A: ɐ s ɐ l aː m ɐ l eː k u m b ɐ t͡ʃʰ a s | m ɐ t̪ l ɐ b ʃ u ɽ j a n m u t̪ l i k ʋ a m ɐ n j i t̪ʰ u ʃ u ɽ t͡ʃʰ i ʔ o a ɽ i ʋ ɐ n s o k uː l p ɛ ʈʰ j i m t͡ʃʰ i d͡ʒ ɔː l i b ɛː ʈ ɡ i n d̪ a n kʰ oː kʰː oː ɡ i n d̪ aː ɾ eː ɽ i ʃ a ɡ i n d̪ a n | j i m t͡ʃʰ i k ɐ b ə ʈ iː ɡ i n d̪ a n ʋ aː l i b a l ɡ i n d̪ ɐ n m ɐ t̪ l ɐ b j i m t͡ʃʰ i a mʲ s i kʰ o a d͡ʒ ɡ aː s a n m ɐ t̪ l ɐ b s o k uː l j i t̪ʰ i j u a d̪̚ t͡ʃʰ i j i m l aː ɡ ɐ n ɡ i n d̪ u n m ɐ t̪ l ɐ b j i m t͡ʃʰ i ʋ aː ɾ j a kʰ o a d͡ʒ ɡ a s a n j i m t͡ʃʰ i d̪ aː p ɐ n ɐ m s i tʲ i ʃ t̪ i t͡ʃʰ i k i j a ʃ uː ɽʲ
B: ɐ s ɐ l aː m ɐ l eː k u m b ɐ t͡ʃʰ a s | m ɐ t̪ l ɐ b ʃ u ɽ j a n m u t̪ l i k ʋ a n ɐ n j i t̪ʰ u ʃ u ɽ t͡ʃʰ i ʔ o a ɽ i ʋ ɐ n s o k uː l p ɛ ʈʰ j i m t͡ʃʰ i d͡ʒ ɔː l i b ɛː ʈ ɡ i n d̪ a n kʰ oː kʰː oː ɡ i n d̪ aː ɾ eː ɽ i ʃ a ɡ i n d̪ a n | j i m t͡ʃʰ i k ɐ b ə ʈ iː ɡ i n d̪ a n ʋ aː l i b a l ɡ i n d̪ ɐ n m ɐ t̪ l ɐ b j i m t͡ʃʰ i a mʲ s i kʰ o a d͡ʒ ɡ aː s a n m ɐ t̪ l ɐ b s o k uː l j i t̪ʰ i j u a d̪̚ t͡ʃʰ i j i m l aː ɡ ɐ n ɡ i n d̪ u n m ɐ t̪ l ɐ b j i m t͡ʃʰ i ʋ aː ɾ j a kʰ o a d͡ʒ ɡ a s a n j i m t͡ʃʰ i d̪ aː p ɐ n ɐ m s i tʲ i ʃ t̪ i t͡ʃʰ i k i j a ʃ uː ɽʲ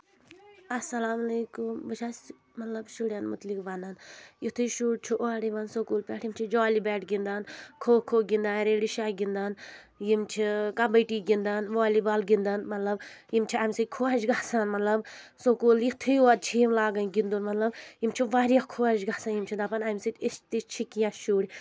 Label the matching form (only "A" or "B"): B